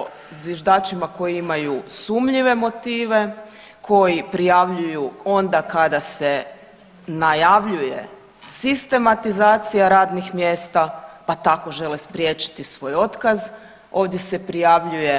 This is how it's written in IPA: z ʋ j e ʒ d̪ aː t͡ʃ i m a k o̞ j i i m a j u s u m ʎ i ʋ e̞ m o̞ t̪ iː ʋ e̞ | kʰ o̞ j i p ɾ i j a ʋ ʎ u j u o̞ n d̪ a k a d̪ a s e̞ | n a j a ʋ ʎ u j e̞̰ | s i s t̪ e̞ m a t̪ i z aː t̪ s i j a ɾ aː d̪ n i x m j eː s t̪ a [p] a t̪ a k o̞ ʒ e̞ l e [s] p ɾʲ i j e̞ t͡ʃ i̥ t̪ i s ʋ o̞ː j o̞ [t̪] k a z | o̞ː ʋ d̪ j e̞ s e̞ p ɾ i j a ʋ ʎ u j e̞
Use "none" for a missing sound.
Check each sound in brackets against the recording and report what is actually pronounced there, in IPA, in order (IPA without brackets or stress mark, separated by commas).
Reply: p, s, t̪